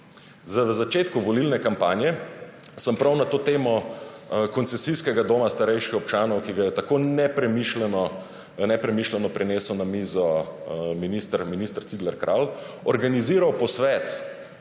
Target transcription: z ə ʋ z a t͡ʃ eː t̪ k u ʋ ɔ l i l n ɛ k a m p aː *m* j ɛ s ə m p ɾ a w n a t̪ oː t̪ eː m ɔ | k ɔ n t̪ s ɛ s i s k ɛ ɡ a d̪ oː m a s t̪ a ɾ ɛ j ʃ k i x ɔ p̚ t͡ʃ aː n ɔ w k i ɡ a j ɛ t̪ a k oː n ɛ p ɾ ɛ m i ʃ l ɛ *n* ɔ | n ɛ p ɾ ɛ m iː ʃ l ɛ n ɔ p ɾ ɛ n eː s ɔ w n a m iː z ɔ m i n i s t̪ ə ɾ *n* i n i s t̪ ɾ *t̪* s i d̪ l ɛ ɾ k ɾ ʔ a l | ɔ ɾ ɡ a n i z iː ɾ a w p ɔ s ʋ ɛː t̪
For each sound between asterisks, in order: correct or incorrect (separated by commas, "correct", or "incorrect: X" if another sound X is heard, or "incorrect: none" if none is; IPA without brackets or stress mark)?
incorrect: n, correct, incorrect: m, correct